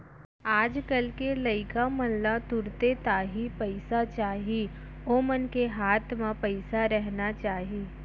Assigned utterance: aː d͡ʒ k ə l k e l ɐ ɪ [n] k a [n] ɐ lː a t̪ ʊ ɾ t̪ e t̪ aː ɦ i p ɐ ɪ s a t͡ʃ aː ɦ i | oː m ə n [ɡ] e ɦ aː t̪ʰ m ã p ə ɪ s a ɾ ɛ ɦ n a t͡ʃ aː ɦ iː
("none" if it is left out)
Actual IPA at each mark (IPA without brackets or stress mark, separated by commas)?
none, m, k